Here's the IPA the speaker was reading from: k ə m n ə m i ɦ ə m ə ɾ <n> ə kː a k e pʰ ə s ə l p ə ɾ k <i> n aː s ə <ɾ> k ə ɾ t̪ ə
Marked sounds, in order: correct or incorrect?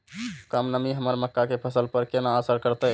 incorrect: m, incorrect: e, correct

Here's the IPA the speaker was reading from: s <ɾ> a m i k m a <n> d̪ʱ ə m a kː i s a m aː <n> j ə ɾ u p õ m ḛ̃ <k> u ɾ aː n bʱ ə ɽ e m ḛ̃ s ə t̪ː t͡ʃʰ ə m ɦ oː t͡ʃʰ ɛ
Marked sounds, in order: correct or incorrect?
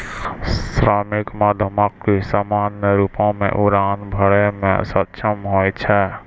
correct, incorrect: none, correct, incorrect: ʔ

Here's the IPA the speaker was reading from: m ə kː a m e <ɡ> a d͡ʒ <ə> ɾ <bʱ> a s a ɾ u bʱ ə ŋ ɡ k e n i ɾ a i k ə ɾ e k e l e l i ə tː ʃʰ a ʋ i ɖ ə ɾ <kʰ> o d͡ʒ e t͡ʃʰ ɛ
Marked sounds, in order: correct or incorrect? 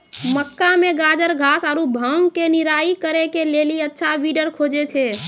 correct, correct, incorrect: ɡʱ, correct

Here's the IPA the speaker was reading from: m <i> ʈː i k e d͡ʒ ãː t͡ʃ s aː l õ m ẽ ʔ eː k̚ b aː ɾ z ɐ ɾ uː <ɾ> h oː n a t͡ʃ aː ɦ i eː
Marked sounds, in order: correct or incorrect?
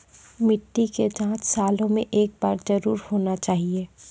incorrect: ɪ, correct

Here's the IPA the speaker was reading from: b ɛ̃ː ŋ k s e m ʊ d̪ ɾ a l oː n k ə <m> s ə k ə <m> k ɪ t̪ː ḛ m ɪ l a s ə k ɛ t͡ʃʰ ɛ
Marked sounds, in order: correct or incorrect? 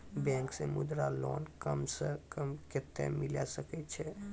correct, correct

